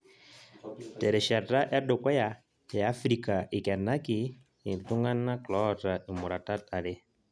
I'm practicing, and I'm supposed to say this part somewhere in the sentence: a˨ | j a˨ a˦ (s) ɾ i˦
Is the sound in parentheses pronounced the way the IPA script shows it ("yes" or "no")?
no